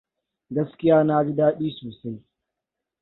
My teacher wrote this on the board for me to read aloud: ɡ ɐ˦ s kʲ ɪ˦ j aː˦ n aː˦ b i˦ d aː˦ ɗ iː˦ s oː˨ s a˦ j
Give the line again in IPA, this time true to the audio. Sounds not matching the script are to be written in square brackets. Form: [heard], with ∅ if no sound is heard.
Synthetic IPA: ɡ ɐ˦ s kʲ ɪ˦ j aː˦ n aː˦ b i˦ d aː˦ ɗ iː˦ s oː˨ s a˦ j